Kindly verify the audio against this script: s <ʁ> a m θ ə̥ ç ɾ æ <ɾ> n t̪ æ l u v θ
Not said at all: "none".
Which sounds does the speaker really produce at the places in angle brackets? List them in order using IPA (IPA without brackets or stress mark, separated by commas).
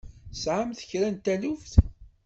ʕ, none